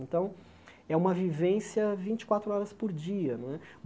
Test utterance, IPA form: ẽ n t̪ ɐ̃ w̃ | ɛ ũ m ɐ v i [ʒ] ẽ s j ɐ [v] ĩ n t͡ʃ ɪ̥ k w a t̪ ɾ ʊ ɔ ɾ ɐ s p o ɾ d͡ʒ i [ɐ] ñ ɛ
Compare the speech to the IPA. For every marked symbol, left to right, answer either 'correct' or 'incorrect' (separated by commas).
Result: incorrect, correct, correct